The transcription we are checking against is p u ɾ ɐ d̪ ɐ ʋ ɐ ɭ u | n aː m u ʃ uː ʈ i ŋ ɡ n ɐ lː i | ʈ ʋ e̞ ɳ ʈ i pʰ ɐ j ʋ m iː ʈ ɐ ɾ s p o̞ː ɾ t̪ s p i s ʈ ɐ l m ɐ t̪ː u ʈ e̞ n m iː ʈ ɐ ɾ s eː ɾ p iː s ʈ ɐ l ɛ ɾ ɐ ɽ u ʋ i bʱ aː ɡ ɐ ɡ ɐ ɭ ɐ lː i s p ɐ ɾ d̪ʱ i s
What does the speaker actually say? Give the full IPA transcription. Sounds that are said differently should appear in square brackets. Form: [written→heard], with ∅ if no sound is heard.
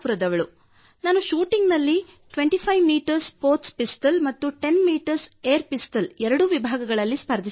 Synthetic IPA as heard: p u ɾ ɐ d̪ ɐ ʋ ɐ ɭ u | n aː [m→n] u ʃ uː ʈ i ŋ ɡ n ɐ lː i | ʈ ʋ e̞ ɳ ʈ i pʰ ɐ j ʋ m iː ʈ ɐ ɾ s p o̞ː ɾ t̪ s p i s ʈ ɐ l m ɐ t̪ː u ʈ e̞ n m iː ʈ ɐ ɾ s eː ɾ p [iː→i] s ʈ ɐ l ɛ ɾ ɐ ɽ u ʋ i bʱ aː ɡ ɐ ɡ ɐ ɭ ɐ lː i s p ɐ ɾ d̪ʱ i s